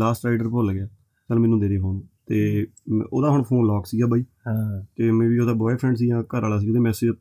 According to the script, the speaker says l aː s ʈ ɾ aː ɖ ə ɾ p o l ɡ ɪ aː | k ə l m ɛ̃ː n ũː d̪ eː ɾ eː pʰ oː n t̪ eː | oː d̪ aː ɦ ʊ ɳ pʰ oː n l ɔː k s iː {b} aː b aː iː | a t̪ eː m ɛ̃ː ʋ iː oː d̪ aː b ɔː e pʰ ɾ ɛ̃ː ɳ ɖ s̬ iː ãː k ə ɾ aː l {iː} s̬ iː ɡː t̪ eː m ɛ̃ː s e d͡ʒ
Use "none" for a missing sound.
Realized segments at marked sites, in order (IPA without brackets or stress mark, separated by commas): ɡ, aː